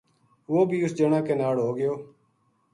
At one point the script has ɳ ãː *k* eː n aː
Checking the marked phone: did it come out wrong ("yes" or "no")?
no